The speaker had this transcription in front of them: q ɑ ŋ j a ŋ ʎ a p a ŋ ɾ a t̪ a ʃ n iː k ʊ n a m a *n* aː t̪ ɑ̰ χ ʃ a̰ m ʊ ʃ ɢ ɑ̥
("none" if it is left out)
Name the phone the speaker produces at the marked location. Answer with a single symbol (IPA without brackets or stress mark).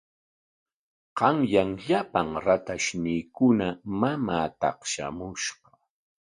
m